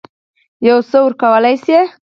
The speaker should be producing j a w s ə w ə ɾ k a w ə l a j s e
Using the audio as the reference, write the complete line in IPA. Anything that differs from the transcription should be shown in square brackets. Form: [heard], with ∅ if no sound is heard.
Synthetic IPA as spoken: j a w s ə w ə ɾ k a w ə l a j s e